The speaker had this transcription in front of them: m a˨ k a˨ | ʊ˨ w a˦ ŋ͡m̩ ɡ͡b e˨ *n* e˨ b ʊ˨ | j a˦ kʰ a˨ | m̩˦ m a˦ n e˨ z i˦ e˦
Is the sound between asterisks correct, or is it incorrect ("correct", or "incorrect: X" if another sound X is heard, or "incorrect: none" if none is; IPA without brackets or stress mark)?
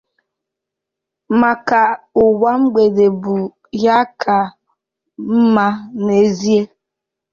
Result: incorrect: d